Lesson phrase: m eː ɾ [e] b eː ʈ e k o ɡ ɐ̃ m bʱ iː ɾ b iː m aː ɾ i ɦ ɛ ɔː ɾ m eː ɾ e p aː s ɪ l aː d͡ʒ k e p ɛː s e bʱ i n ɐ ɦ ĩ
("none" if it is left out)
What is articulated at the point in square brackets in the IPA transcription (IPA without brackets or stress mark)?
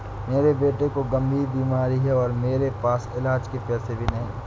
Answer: e